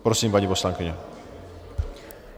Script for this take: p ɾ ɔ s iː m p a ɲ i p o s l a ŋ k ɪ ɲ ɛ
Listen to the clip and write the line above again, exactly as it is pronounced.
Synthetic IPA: p ɾ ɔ s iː m p a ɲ i p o s l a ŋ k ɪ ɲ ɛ

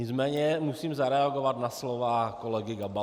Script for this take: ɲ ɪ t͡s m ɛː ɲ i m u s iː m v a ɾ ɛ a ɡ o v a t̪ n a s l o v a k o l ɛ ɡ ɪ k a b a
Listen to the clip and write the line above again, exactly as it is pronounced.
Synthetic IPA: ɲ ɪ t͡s m ɛː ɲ ɛ m u s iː m z a ɾ ɛ a ɡ o v a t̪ n a s l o v a k o l ɛ ɡ ɪ ɡ a b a

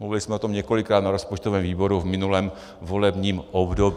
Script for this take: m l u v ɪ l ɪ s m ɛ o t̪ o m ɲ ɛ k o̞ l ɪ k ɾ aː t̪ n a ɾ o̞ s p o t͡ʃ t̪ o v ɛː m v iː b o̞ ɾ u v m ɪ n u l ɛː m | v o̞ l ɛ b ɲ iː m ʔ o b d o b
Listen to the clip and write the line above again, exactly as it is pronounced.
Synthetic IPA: m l u v ɪ l ɪ s m ɛ o t̪ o m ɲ ɛ k o̞ l ɪ k ɾ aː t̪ n a ɾ o̞ s p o t͡ʃ t̪ o v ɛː m v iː b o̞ ɾ u v m ɪ n u l ɛː m | v o̞ l ɛ b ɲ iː m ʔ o b d o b

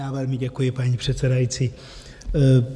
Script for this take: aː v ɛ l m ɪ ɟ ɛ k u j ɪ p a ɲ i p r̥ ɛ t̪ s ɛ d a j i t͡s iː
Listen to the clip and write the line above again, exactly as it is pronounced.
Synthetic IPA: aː v ɛ l m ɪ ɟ ɛ k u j ɪ p a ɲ i p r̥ ɛ t̪ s ɛ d a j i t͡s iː

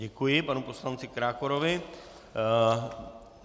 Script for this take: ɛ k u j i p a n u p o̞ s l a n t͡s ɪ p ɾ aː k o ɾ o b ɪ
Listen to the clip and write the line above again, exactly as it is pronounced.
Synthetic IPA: ɛ k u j ɪ p a n u p o̞ s l a n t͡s ɪ k ɾ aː k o ɾ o v ɪ

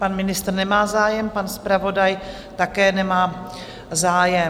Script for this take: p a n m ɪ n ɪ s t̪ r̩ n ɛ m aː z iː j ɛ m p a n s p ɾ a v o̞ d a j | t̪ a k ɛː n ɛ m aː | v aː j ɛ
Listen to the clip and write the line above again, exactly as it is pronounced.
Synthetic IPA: p a n m ɪ n ɪ s t̪ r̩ n ɛ m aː z aː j ɛ m p a n s p ɾ a v o̞ d a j | t̪ a k ɛː n ɛ m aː | z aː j ɛ

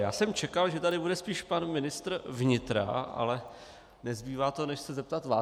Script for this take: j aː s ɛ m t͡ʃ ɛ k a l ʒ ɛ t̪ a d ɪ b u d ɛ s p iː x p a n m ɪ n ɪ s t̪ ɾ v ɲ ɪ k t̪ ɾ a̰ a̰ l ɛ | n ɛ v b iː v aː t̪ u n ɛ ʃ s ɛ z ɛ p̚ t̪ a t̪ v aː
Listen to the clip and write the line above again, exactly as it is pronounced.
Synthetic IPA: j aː s ɛ m t͡ʃ ɛ k a l ʒ ɛ t̪ a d ɪ b u d ɛ s p iː ʃ p a n m ɪ n ɪ s t̪ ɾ v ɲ ɪ t̪ ɾ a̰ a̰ l ɛ | n ɛ z b iː v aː t̪ o n ɛ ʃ s ɛ z ɛ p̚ t̪ a t̪ v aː

